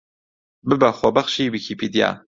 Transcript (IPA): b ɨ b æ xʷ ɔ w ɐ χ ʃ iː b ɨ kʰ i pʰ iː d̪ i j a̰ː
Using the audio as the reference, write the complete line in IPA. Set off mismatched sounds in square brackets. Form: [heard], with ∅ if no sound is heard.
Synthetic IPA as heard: b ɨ b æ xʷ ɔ [b] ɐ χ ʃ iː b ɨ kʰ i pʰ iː d̪ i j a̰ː